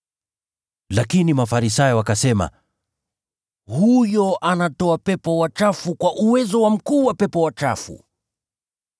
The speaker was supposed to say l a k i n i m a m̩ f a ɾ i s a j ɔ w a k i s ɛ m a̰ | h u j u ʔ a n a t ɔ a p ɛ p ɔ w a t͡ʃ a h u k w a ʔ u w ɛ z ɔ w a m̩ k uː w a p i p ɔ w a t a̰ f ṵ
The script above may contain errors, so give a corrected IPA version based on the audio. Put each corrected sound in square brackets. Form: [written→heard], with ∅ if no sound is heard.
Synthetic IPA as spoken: l a k i n i m a [m̩→∅] f a ɾ i s a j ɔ w a k [i→a] s ɛ m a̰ | h u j [u→ɔ] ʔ a n a t ɔ a p ɛ p ɔ w a t͡ʃ a [h→f] u k w a ʔ u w ɛ z ɔ w a m̩ k uː w a p [i→ɛ] p ɔ w a [t→t͡ʃ] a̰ f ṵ